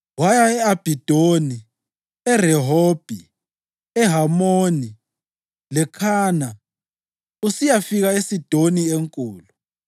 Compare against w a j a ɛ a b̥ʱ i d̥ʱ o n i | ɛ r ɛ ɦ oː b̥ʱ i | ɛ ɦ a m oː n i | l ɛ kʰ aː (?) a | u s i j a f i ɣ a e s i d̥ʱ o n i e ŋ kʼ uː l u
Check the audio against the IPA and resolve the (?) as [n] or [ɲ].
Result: n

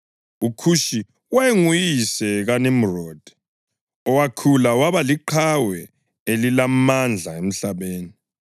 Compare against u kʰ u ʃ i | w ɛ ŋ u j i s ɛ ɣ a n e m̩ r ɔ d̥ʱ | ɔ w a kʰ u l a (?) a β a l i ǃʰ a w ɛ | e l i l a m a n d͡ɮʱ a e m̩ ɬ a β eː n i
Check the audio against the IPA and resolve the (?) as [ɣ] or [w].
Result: w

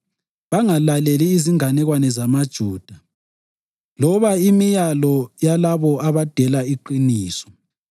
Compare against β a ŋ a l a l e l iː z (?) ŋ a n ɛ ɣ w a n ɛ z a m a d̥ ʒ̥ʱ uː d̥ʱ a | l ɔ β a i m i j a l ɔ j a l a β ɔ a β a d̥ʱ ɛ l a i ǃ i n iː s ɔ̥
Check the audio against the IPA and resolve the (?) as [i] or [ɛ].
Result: i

